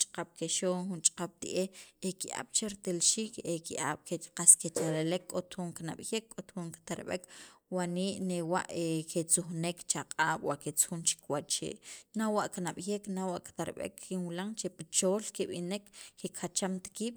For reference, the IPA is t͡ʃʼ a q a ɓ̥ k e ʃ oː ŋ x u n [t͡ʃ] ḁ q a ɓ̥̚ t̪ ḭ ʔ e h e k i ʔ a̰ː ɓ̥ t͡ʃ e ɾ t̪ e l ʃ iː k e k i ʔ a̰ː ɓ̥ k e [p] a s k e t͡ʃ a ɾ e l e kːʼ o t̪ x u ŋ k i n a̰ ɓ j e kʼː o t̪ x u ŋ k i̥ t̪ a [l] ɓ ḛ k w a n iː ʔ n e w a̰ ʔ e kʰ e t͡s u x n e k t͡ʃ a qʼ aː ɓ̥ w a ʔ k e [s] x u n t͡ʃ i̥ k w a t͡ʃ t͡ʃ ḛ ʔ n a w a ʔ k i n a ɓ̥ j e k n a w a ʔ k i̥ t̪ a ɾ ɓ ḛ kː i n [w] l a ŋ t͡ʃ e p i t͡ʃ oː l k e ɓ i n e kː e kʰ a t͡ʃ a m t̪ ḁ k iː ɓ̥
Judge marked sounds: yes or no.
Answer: no, no, no, no, yes

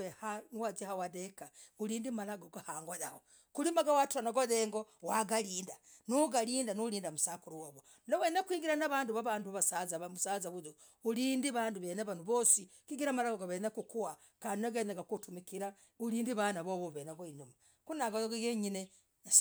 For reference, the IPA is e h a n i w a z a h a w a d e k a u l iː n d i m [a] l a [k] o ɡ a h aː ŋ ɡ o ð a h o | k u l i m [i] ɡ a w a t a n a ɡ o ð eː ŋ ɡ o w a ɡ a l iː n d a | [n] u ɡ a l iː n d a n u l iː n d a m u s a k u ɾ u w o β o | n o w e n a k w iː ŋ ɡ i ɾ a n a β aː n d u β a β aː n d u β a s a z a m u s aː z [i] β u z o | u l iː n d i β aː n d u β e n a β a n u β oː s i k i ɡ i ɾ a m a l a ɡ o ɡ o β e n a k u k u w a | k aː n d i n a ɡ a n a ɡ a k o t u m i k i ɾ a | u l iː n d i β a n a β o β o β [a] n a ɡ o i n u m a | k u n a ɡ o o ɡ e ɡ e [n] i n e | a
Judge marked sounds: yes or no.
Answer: yes, no, no, yes, no, no, no

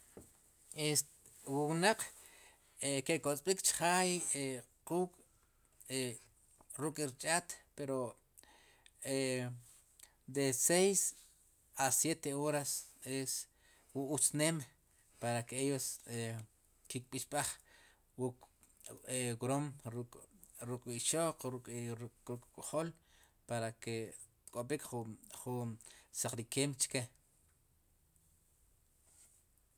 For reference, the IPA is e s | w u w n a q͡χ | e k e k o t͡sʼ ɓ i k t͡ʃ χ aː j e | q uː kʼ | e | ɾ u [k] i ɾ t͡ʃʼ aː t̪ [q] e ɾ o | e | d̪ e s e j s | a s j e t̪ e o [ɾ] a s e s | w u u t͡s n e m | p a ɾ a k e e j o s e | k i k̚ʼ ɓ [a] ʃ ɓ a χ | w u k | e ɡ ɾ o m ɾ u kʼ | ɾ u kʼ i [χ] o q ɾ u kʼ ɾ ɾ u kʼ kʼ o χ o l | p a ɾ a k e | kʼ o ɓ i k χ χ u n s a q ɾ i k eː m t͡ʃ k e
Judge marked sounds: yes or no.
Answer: no, no, yes, no, no

